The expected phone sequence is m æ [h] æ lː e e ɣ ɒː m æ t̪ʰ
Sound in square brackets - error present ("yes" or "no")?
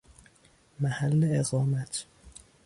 no